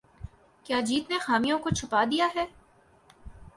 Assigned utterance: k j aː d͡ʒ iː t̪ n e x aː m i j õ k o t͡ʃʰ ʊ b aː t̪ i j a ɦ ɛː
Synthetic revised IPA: k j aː d͡ʒ iː t̪ n e x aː m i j õ k o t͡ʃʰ ʊ p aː d̪ i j a ɦ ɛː